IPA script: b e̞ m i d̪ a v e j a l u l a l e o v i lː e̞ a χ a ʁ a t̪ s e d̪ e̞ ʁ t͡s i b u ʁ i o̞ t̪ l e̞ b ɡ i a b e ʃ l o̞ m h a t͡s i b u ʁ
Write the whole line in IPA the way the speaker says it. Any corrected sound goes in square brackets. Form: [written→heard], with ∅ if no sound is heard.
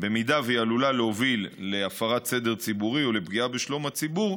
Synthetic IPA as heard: b e̞ m i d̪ a v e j a l u l a l e o v i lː e̞ a [χ→f] a ʁ a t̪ s e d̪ e̞ ʁ t͡s i b u ʁ i o̞ [t̪→∅] l e̞ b ɡ i a b e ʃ l o̞ m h a t͡s i b u ʁ